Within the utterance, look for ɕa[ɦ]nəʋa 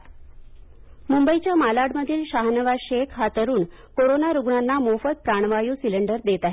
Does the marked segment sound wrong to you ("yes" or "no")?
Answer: no